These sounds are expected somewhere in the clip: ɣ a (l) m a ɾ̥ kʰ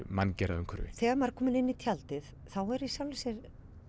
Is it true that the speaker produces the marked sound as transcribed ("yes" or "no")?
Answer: no